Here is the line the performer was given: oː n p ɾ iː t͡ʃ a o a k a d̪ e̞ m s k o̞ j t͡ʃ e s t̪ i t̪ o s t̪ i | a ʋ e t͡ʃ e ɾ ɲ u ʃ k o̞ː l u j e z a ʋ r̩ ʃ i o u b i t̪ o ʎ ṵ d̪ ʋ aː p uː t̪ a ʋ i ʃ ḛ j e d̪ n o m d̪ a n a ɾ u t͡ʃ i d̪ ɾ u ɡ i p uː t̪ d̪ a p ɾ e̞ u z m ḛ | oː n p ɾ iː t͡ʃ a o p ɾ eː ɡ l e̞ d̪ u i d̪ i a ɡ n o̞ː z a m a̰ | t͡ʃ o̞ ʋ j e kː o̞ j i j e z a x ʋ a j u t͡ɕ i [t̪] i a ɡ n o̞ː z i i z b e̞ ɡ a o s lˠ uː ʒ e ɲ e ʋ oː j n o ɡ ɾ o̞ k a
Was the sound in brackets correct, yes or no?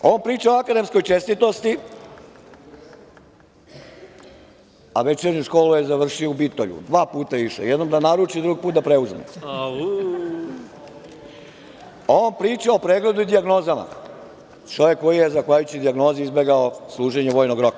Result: no